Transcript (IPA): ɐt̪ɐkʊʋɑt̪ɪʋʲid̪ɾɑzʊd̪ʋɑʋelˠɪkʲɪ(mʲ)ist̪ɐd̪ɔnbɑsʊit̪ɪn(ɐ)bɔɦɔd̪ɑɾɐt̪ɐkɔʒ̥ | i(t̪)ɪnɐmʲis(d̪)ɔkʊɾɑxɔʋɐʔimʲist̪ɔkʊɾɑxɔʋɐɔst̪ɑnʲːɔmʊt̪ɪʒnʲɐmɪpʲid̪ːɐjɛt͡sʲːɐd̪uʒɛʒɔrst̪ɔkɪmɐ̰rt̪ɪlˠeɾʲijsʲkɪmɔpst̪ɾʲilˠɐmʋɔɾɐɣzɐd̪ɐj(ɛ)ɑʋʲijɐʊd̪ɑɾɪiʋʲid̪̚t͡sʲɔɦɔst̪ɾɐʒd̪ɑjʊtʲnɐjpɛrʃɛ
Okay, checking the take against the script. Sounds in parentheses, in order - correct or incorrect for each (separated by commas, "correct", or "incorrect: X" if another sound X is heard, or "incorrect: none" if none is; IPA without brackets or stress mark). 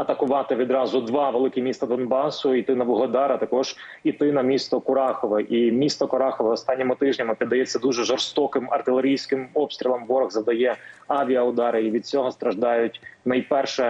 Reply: correct, correct, correct, incorrect: t̪, correct